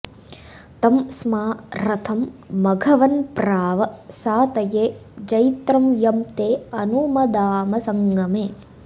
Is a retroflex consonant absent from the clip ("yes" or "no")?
yes